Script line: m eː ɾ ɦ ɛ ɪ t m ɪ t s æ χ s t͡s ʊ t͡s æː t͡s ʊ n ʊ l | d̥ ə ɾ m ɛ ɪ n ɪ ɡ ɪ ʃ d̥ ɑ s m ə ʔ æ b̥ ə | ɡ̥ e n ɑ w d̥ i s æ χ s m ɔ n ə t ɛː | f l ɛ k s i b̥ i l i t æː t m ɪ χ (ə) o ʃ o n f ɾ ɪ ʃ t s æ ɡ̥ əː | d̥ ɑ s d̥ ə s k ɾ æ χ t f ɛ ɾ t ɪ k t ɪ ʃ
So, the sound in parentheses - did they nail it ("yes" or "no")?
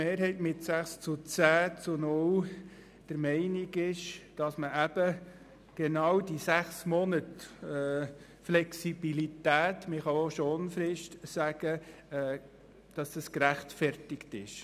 no